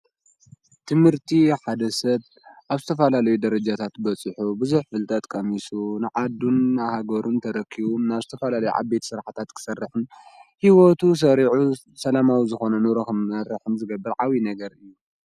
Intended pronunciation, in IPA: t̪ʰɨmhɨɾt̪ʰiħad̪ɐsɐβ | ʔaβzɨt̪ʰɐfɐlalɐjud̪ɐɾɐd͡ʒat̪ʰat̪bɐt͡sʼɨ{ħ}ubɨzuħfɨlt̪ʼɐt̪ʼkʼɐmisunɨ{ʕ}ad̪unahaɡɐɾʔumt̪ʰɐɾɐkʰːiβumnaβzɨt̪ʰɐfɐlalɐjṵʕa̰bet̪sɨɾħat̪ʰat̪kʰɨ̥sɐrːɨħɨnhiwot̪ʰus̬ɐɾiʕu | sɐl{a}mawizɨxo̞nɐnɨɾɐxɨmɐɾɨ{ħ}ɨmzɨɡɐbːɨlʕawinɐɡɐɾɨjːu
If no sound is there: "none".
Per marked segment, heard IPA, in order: ħ, ʕ, a, ħ

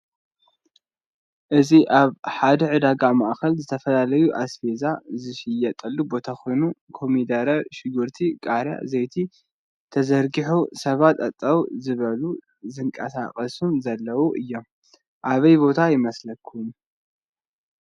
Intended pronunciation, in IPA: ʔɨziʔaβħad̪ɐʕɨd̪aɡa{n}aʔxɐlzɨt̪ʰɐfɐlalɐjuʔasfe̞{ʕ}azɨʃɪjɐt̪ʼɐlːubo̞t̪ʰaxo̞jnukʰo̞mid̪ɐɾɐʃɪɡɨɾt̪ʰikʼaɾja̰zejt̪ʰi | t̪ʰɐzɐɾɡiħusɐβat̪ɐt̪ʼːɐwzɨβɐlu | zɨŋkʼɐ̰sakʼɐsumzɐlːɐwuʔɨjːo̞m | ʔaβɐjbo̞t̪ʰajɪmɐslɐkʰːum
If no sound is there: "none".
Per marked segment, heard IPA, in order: m, z

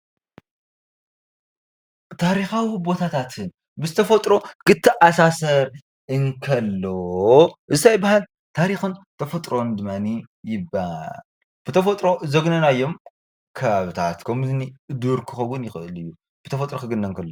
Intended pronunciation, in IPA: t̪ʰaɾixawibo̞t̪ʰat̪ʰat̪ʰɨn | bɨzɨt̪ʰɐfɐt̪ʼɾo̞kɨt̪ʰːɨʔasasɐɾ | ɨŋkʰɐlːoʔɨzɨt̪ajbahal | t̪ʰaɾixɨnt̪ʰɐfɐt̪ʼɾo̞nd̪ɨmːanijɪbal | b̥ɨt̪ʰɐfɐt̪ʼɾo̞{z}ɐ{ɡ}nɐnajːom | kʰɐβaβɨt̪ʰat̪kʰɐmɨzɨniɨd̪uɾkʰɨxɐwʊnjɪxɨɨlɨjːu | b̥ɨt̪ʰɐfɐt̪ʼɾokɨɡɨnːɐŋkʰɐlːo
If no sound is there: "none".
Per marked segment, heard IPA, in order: z, ɡ

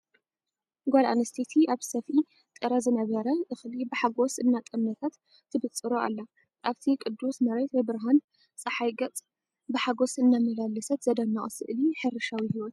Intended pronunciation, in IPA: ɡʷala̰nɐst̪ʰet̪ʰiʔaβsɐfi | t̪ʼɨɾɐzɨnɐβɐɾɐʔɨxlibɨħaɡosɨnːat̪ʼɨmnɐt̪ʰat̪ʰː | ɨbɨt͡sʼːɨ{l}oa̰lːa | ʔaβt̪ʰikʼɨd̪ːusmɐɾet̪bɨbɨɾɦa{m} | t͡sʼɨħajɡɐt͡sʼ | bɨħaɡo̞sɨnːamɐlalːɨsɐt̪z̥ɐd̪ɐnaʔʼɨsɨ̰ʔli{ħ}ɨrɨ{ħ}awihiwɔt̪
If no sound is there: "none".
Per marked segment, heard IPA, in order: ɾ, n, ħ, ʃ

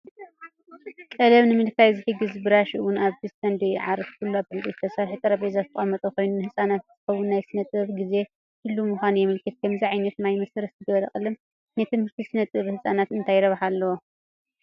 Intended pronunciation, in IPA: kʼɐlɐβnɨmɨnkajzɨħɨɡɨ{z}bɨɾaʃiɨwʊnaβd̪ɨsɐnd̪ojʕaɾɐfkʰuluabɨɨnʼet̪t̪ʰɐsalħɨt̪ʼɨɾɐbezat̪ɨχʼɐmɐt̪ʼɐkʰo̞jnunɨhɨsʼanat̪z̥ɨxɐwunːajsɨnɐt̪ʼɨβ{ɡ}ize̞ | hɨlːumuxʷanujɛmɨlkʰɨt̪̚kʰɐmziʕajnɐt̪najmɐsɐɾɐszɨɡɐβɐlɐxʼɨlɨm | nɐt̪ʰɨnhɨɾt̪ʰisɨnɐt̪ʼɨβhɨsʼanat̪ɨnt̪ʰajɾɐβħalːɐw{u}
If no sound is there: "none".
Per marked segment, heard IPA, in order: z, ɡ, o

